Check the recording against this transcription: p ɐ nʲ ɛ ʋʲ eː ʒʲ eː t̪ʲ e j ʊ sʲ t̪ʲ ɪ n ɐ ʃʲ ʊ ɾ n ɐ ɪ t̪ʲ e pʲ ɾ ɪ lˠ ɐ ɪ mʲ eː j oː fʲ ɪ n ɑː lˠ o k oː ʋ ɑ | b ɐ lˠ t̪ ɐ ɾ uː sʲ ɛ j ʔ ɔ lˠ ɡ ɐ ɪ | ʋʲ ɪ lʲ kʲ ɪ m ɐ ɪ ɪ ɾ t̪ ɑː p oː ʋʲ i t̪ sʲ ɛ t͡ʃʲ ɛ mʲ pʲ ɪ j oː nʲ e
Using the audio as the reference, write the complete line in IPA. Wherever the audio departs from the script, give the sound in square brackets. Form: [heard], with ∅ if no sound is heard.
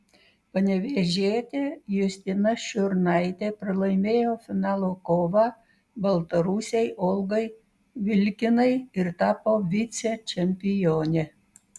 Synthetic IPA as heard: p ɐ nʲ ɛ ʋʲ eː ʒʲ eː t̪ʲ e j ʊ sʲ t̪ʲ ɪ n ɐ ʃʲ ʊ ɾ n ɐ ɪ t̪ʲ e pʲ ɾ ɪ lˠ ɐ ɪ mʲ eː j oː fʲ ɪ n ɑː lˠ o k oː ʋ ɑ | b ɐ lˠ t̪ ɐ ɾ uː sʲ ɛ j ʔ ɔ lˠ ɡ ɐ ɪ | ʋʲ ɪ lʲ kʲ ɪ [n] ɐ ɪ ɪ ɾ t̪ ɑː p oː ʋʲ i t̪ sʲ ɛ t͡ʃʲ ɛ mʲ pʲ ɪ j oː nʲ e

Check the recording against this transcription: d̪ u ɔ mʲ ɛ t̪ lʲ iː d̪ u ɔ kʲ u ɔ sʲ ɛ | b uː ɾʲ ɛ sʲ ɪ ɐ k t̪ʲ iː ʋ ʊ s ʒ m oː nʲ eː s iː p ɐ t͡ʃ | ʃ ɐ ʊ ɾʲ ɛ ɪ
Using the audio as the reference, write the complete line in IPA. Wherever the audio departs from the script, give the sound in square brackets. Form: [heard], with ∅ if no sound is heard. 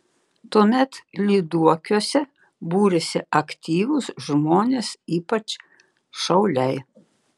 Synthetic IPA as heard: [t̪] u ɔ mʲ ɛ t̪ lʲ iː d̪ u ɔ kʲ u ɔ sʲ ɛ | b uː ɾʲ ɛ sʲ ɪ ɐ k t̪ʲ iː ʋ ʊ s ʒ m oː nʲ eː s iː p ɐ t͡ʃ | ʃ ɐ ʊ [lʲ] ɛ ɪ

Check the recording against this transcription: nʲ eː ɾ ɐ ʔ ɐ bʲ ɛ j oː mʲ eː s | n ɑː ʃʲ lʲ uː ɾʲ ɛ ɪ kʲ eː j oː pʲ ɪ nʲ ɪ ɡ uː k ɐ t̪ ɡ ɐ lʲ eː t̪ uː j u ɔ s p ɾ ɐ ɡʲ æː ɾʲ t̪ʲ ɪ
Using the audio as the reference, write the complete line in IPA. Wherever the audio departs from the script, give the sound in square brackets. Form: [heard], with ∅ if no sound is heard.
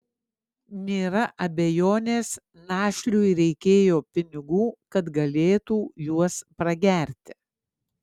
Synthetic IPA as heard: nʲ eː ɾ ɐ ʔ ɐ bʲ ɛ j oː [nʲ] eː s | n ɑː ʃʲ lʲ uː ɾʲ ɛ ɪ kʲ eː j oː pʲ ɪ nʲ ɪ ɡ uː k ɐ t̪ ɡ ɐ lʲ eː t̪ uː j u ɔ s p ɾ ɐ ɡʲ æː ɾʲ t̪ʲ ɪ

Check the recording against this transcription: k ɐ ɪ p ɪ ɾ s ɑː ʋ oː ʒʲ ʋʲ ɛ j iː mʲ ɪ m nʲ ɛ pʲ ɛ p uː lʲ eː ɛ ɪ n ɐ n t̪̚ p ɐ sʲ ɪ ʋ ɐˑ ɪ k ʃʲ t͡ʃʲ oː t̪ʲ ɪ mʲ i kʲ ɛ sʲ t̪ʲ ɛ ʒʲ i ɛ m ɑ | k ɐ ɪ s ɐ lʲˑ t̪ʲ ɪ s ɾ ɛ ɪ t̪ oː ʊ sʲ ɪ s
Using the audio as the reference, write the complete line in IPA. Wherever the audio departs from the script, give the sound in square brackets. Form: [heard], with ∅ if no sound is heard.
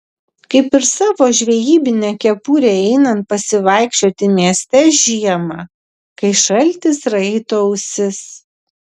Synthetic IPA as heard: k ɐ ɪ p ɪ ɾ s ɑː ʋ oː ʒʲ ʋʲ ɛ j iː [bʲ] ɪ [∅] nʲ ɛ [kʲ] ɛ p uː [ɾʲ] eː ɛ ɪ n ɐ n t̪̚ p ɐ sʲ ɪ ʋ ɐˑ ɪ k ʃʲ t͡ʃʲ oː t̪ʲ ɪ mʲ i [∅] ɛ sʲ t̪ʲ ɛ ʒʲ i ɛ m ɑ | k ɐ ɪ [ʃ] ɐ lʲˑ t̪ʲ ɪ s ɾ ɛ ɪ t̪ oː ʊ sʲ ɪ s

